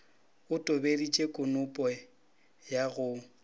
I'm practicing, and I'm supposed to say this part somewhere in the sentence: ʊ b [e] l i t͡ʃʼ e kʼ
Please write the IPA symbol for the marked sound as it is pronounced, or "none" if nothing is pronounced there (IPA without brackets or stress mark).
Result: e